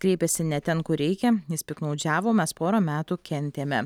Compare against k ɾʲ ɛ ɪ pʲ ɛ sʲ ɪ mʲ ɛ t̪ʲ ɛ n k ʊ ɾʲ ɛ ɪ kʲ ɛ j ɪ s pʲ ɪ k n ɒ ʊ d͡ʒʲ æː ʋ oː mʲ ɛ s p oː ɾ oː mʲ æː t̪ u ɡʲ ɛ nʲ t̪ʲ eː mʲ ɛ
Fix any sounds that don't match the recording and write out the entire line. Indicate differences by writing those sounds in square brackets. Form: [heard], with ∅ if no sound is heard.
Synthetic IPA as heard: k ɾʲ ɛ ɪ pʲ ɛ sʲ ɪ [nʲ] ɛ t̪ʲ ɛ n k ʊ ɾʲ ɛ ɪ kʲ ɛ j ɪ s pʲ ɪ k n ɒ ʊ d͡ʒʲ æː ʋ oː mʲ ɛ s p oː ɾ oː mʲ æː t̪ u [kʲ] ɛ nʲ t̪ʲ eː mʲ ɛ